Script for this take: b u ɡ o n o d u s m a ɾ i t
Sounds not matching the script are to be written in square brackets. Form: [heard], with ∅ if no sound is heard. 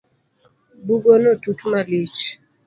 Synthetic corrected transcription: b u ɡ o n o [t] u [t] m a [l] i [t͡ʃ]